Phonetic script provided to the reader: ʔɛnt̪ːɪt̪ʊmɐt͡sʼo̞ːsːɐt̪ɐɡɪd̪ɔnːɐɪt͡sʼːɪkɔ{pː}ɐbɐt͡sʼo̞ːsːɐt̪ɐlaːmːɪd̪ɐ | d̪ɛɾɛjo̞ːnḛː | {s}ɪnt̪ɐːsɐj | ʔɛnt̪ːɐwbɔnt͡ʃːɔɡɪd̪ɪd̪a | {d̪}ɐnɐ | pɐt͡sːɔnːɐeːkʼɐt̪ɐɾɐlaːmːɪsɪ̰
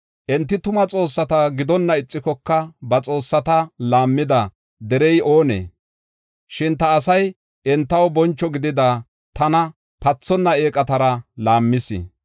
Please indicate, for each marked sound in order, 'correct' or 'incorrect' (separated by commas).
incorrect, incorrect, incorrect